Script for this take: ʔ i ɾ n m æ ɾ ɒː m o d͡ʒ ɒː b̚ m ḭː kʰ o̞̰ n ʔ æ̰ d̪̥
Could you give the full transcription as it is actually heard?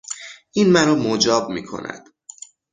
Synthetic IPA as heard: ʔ i n m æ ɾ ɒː m o d͡ʒ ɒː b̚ m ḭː kʰ o̞̰ n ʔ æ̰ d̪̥